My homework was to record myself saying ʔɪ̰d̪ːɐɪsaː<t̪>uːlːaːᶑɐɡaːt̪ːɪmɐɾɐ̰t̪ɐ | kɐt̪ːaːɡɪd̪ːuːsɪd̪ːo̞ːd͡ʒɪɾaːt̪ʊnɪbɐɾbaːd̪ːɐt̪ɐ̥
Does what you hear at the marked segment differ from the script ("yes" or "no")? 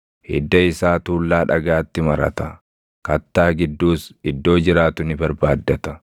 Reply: no